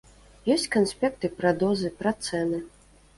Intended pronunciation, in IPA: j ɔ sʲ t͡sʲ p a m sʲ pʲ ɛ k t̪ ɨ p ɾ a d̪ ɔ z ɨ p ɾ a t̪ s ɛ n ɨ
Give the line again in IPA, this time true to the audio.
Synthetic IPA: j ɔ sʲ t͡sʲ k a n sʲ pʲ ɛ k t̪ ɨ p ɾ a d̪ ɔ z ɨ p ɾ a t̪ s ɛ n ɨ